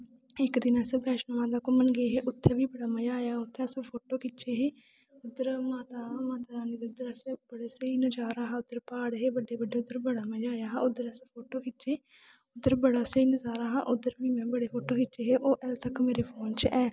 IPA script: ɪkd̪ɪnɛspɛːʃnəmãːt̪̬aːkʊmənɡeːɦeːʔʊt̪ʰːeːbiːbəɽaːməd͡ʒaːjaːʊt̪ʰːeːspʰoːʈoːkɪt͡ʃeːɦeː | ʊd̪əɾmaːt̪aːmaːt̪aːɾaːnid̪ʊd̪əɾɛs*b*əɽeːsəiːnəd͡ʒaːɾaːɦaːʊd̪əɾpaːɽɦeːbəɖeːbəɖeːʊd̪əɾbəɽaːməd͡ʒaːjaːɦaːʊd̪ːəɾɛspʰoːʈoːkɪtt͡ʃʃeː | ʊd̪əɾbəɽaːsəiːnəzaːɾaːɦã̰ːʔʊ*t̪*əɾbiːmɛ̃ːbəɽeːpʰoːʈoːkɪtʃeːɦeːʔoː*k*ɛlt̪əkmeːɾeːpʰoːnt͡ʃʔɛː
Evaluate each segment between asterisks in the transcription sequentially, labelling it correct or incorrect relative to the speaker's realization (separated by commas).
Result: correct, incorrect, incorrect